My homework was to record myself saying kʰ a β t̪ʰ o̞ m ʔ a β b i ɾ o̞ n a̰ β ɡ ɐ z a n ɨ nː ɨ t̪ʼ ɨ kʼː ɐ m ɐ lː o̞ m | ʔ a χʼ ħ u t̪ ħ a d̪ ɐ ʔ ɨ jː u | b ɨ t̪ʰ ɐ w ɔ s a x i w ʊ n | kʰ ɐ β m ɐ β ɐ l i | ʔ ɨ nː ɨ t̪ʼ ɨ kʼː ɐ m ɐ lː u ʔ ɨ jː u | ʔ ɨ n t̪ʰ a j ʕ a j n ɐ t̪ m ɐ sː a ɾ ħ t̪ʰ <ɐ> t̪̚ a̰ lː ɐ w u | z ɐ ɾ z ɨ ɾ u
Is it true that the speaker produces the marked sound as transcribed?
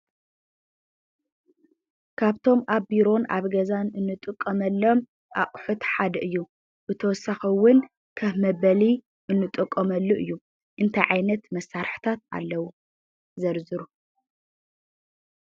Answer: no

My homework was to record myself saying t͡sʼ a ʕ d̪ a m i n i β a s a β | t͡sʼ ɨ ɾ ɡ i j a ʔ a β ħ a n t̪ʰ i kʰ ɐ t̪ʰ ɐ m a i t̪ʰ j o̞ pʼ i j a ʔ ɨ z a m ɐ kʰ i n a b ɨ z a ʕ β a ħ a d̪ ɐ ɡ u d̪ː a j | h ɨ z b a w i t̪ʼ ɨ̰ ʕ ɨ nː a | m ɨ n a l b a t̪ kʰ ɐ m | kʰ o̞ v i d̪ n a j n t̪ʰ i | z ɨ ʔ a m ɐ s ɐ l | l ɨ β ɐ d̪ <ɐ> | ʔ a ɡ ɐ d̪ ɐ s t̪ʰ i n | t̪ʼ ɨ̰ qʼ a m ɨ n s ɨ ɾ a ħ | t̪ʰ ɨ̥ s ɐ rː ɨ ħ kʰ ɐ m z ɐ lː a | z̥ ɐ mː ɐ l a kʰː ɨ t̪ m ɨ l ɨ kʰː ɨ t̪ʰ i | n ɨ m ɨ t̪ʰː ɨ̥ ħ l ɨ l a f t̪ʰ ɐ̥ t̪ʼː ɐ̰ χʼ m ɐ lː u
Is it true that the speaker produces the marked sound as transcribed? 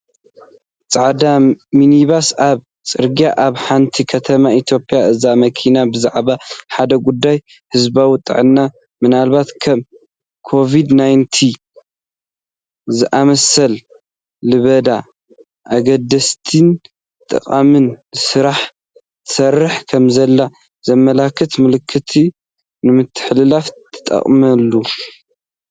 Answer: no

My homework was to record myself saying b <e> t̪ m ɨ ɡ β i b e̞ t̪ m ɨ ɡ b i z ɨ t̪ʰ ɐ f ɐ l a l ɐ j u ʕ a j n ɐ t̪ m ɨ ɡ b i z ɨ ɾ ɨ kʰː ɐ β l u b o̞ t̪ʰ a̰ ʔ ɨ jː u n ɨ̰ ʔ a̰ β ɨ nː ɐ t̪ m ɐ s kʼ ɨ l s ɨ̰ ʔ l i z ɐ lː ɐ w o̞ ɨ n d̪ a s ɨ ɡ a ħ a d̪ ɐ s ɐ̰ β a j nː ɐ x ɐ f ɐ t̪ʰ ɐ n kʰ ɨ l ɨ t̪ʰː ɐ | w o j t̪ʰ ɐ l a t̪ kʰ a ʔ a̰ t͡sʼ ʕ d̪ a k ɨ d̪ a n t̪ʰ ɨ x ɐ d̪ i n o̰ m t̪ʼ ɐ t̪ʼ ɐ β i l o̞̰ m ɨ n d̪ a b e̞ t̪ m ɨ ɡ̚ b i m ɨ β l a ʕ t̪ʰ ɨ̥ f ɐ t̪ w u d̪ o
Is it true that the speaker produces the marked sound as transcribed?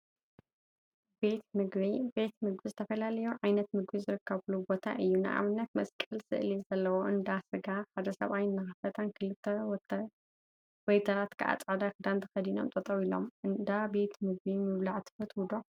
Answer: yes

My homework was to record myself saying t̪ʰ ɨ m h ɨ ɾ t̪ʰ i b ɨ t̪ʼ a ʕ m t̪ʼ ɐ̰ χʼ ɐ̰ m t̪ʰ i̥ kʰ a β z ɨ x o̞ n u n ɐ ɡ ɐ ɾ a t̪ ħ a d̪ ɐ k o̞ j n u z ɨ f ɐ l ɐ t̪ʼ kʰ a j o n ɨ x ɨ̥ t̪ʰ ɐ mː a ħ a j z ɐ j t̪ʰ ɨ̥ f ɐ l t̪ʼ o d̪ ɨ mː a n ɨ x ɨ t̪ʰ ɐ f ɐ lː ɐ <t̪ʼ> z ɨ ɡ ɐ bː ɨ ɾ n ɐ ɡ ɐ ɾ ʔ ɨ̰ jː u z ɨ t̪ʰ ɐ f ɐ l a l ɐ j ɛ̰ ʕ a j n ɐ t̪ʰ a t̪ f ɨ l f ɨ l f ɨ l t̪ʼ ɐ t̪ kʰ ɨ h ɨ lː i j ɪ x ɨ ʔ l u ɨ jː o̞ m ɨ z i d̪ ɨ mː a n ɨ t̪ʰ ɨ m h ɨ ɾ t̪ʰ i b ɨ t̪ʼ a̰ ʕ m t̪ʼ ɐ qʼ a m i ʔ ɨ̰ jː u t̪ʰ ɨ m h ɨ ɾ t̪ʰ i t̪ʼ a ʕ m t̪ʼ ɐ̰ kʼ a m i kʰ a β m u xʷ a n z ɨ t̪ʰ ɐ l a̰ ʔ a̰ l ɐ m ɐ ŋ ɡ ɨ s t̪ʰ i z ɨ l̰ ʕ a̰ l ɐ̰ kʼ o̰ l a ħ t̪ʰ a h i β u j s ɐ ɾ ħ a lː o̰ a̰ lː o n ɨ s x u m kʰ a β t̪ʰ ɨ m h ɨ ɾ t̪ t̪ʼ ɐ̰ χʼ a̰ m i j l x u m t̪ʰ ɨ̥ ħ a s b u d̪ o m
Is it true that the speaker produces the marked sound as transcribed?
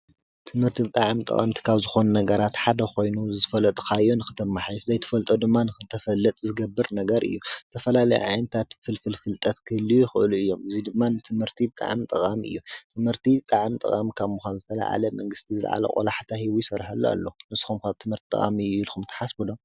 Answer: yes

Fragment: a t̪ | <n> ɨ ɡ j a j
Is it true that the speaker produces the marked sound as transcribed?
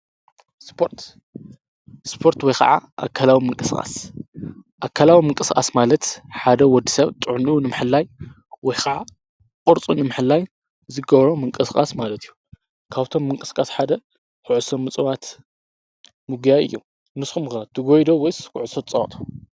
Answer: no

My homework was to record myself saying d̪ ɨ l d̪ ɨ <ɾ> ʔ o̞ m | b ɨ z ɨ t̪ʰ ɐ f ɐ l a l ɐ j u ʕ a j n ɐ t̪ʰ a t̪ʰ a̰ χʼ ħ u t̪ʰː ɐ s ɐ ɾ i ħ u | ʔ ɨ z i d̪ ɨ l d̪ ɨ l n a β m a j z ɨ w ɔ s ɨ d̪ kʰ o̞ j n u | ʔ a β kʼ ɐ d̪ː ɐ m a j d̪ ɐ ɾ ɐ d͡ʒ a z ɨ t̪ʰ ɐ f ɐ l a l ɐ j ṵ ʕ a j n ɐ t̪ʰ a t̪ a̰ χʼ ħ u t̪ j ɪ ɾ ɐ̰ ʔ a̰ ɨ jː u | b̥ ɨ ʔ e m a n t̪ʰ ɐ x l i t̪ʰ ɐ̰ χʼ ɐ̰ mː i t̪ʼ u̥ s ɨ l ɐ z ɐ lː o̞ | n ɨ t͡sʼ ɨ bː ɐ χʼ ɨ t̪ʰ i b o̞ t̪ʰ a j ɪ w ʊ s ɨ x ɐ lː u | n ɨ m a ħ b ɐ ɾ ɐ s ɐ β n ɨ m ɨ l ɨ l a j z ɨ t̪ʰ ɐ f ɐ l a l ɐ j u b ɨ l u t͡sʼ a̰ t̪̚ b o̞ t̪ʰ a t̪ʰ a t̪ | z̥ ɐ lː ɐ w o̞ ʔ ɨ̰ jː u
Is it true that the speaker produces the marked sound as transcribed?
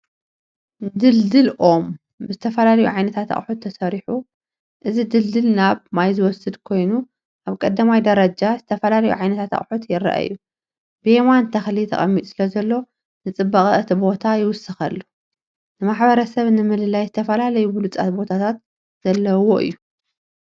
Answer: no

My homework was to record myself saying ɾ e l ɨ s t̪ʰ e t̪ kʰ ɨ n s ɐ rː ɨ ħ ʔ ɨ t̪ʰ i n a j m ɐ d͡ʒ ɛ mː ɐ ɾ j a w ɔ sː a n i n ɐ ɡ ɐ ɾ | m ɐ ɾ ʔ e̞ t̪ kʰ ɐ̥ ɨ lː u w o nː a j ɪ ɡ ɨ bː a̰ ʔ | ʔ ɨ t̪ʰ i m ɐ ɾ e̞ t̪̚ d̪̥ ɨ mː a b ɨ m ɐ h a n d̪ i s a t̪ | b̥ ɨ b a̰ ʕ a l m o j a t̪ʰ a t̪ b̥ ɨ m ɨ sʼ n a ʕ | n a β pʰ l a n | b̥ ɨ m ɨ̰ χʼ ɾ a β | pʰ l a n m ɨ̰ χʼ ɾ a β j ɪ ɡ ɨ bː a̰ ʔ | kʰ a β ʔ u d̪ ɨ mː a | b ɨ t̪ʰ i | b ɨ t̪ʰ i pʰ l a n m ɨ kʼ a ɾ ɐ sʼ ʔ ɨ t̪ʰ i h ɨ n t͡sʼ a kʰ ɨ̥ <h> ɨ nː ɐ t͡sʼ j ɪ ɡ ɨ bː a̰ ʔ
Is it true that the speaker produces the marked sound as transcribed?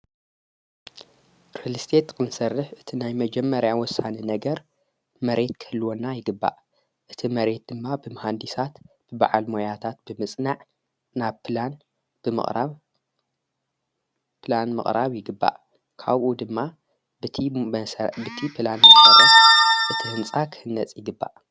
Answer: yes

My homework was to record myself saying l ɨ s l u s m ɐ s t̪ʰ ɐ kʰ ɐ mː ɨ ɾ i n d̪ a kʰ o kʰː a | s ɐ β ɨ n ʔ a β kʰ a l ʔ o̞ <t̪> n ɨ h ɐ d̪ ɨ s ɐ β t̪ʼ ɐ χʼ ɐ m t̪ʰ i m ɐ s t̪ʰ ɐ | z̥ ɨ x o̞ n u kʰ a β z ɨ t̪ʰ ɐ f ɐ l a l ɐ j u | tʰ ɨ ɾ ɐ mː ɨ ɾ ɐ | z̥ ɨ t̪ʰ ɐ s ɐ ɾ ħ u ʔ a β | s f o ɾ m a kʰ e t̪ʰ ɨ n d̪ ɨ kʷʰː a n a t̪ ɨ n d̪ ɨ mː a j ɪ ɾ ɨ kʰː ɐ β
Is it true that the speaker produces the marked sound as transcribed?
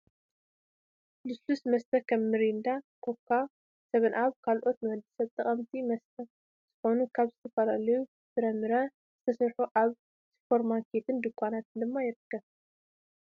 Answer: yes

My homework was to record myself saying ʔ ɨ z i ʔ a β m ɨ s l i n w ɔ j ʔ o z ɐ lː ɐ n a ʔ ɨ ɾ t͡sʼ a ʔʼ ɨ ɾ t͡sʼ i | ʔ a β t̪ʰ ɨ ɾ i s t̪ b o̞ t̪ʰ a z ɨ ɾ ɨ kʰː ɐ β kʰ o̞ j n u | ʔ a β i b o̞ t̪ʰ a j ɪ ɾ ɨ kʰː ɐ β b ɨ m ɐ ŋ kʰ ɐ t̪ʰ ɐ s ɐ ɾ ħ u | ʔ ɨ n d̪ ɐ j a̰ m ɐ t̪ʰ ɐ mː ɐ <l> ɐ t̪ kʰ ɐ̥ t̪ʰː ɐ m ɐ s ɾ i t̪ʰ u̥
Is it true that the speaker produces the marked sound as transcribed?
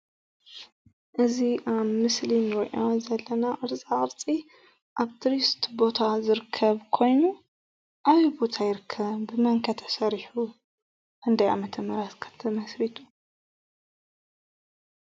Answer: no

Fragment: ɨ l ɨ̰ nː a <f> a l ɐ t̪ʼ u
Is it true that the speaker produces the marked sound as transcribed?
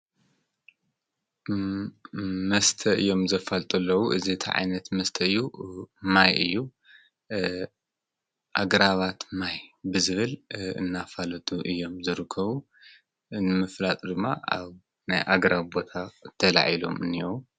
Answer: yes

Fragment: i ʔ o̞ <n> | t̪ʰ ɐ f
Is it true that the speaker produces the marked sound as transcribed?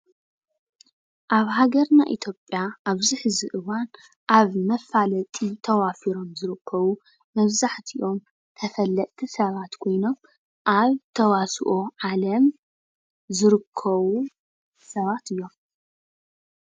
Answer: no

